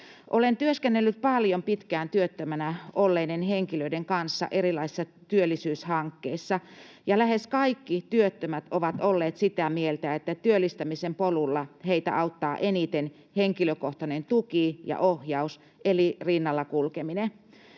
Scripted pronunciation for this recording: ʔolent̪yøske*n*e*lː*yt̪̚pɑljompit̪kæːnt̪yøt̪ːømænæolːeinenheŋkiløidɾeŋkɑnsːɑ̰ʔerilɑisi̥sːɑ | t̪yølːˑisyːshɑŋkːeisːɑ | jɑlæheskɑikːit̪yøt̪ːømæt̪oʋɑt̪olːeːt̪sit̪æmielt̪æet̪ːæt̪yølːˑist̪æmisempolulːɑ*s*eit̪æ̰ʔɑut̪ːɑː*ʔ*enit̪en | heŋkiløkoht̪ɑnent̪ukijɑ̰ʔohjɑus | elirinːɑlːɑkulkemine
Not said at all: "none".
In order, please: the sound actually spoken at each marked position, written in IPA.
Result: nː, lː, h, ʔ

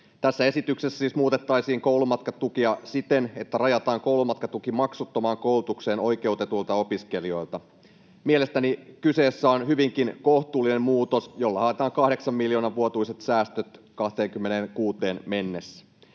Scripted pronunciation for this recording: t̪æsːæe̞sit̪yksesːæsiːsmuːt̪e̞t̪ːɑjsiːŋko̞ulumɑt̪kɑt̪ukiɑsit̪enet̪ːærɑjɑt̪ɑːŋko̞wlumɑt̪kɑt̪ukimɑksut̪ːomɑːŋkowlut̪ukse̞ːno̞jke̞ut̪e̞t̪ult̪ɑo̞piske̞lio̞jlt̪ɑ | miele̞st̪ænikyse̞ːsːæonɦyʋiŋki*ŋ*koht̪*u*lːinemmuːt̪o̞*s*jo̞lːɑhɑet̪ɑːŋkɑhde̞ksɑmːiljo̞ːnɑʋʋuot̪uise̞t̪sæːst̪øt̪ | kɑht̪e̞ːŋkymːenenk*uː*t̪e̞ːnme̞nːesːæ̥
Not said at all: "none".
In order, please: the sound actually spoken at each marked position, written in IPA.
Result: n, uː, s, uː

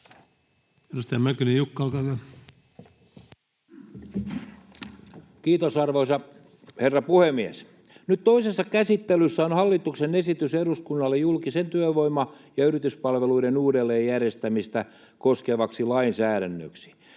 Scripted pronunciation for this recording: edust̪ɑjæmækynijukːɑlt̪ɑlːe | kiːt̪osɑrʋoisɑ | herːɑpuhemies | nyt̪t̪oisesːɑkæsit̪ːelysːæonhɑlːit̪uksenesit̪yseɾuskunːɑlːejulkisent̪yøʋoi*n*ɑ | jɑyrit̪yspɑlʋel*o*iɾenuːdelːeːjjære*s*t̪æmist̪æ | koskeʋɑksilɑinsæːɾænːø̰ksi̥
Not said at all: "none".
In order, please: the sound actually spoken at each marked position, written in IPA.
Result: m, u, s

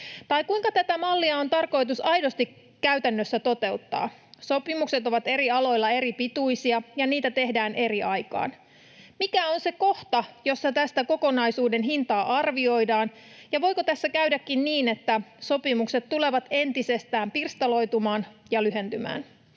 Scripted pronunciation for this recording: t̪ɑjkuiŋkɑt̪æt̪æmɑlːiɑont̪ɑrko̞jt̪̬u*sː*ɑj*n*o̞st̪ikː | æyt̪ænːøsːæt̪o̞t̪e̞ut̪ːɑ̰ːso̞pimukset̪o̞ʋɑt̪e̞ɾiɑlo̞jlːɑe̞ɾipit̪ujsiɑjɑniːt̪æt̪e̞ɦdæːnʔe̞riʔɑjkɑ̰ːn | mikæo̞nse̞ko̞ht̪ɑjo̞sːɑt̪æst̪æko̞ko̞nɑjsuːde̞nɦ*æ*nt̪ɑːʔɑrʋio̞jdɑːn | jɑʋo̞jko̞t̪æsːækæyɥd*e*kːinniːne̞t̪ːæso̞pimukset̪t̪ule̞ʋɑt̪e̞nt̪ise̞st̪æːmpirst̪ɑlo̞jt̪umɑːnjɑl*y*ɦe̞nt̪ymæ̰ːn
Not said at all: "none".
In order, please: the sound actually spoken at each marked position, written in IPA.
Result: s, d, i, æ, y

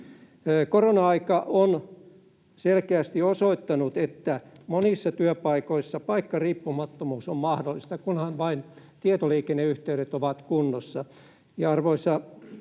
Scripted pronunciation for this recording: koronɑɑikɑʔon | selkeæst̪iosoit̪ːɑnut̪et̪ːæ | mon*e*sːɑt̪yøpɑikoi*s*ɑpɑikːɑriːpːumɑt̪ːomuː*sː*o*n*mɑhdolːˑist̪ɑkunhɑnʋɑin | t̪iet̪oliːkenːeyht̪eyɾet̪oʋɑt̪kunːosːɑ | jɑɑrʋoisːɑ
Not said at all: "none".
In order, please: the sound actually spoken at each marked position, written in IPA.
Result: i, sː, s, m

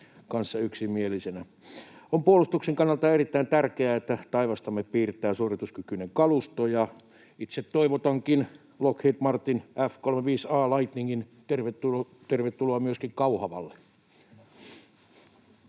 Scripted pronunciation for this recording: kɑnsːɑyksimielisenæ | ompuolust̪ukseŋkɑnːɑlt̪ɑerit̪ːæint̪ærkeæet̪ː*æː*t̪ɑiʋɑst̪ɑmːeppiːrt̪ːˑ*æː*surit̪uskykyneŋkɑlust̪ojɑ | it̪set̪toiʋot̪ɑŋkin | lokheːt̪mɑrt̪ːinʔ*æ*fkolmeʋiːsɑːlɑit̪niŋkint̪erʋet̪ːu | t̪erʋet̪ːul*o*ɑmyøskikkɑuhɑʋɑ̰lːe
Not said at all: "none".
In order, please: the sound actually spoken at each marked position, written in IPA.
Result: æ, æː, æ, o

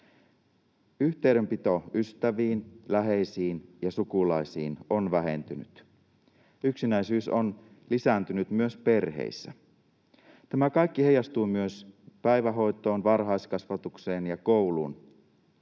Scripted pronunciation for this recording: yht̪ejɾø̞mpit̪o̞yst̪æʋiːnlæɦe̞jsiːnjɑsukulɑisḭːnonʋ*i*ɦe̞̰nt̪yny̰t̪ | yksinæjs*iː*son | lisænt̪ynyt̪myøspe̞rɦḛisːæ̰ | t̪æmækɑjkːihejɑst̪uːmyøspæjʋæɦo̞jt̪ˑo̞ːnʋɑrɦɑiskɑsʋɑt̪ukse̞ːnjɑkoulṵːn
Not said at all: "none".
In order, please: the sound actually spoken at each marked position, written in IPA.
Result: æ, yː

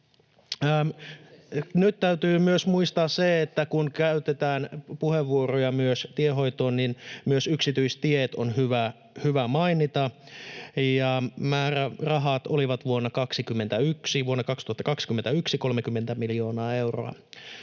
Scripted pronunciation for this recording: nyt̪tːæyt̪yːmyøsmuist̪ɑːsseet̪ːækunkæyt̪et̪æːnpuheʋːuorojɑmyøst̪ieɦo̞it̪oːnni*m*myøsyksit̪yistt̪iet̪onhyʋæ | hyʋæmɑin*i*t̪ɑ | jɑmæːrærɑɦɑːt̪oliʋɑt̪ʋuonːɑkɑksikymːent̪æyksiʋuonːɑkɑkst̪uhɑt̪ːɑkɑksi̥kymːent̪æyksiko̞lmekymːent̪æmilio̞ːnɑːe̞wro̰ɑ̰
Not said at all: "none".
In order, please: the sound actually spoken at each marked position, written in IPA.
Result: n, i

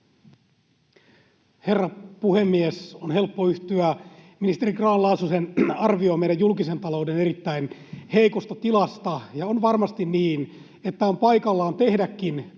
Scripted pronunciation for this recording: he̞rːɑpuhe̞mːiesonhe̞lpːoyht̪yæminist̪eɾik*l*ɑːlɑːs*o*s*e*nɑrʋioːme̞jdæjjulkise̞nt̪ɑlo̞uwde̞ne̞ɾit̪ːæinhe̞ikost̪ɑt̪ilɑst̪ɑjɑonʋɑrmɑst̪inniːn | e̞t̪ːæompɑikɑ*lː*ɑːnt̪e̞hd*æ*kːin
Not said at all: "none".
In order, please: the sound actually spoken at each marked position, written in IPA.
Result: r, u, e, lː, æ

